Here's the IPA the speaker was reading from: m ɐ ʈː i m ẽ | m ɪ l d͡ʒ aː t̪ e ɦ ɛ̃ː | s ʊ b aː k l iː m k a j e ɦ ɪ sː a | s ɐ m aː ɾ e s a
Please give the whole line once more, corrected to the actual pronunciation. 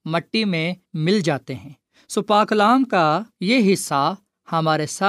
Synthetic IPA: m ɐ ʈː i m ẽ | m ɪ l d͡ʒ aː t̪ e ɦ ɛ̃ː | s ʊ p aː k l aː m k a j e ɦ ɪ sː a | h ɐ m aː ɾ e s a